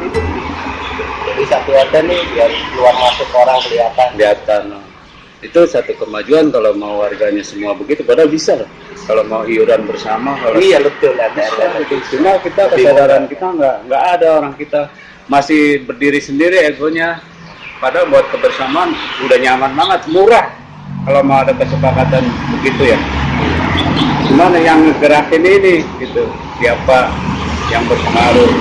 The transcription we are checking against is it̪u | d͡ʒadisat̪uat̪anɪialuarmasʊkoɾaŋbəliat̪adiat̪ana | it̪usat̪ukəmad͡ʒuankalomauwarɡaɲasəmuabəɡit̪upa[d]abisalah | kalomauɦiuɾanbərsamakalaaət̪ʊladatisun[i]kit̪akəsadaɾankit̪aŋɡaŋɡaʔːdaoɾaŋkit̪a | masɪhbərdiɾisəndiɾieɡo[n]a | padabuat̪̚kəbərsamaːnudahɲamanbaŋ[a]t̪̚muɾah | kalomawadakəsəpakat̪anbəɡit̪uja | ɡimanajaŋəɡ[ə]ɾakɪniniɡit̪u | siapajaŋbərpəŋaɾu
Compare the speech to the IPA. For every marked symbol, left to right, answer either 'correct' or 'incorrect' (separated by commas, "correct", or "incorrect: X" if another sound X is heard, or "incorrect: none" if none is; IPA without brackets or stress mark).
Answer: correct, incorrect: a, incorrect: ɲ, incorrect: ə, correct